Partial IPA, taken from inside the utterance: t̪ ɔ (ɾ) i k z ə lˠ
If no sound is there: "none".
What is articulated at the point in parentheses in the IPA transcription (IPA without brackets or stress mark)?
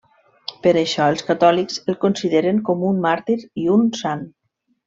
l